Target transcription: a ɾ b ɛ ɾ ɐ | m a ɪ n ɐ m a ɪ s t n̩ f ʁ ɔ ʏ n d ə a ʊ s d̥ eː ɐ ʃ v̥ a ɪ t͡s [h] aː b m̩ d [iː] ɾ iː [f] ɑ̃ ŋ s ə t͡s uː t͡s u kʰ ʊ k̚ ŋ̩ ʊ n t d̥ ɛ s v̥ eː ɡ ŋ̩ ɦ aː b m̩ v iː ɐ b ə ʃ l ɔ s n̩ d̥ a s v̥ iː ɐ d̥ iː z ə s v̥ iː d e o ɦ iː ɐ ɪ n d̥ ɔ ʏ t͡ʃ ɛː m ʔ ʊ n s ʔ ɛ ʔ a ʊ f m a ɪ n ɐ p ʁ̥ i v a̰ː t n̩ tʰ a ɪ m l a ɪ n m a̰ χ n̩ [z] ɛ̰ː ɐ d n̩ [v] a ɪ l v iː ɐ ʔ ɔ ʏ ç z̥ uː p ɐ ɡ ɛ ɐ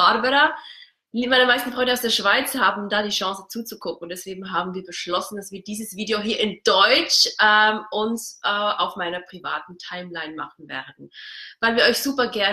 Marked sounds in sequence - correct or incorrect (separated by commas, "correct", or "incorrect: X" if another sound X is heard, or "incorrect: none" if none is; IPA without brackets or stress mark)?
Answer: correct, incorrect: aː, incorrect: ʃ, incorrect: v, correct